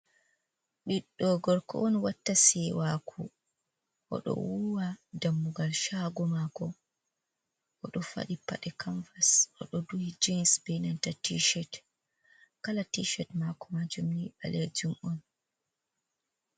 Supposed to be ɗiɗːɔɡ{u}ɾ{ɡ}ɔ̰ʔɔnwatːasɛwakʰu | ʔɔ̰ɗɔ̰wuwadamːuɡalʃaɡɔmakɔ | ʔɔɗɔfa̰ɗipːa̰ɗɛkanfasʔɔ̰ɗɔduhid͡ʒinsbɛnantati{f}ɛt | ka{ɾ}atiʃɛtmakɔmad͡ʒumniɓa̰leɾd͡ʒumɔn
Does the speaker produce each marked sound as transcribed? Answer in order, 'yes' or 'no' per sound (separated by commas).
no, no, no, no